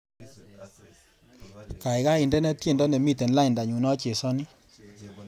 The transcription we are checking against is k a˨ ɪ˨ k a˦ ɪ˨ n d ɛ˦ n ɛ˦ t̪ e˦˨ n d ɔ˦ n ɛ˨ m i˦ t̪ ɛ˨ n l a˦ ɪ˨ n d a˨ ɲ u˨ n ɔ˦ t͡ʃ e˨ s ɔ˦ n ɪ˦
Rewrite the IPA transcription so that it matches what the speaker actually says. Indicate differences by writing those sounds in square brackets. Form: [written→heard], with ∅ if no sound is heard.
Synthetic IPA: k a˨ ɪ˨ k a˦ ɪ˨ n d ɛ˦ n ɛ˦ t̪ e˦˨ n d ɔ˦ n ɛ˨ m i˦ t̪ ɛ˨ n l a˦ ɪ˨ n d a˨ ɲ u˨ n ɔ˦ t͡ʃ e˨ s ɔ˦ n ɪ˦